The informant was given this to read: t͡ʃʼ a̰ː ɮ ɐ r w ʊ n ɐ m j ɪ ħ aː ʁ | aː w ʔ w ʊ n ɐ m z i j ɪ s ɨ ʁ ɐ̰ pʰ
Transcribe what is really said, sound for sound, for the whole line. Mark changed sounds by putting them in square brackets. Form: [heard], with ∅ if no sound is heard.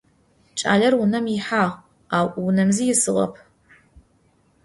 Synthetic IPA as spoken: t͡ʃʼ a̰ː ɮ ɐ r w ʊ n ɐ m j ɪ ħ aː ʁ | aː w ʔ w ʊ n ɐ m z i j ɪ s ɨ ʁ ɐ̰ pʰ